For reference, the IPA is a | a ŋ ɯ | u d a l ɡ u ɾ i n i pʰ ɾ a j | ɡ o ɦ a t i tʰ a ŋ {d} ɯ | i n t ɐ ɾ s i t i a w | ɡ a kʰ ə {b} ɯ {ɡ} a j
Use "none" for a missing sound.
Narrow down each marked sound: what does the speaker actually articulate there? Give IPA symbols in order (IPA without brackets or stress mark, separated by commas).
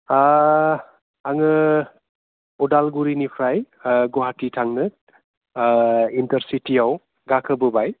n, b, b